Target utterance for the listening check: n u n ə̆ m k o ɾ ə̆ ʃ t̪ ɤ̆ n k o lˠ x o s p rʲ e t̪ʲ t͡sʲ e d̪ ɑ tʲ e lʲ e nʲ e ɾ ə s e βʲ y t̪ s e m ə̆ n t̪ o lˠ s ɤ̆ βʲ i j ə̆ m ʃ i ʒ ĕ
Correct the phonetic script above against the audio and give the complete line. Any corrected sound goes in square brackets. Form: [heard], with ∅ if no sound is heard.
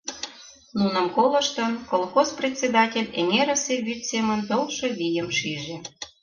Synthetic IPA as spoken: n u n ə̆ m k o [l] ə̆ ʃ t̪ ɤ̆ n k o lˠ x o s p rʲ e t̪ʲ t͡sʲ e d̪ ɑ tʲ e lʲ e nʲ e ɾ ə s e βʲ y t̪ s e m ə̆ n t̪ o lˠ [ʃ] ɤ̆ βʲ i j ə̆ m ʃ i ʒ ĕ